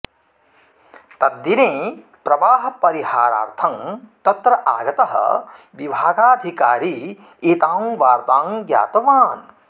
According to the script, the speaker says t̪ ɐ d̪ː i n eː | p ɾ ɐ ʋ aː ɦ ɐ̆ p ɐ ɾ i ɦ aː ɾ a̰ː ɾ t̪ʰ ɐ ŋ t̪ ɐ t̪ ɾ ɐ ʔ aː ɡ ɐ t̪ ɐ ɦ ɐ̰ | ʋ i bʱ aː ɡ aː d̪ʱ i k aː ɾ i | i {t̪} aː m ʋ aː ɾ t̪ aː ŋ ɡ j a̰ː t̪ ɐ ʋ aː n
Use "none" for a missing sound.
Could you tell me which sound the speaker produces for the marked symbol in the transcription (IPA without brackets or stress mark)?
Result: t̪